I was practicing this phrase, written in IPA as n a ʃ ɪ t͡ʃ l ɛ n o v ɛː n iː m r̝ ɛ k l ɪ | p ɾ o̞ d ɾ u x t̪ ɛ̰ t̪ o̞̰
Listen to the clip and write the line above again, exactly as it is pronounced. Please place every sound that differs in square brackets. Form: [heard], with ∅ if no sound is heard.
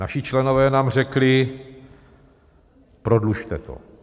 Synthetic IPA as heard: n a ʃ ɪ t͡ʃ l ɛ n o v ɛː n [aː] m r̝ ɛ k l ɪ | p ɾ o̞ d [l] u [ʃ] t̪ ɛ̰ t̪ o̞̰